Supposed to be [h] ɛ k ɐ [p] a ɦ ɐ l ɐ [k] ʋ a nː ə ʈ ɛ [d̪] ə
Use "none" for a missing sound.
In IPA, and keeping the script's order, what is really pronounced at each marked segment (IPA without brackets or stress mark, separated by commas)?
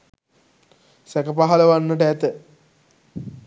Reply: s, p, none, t̪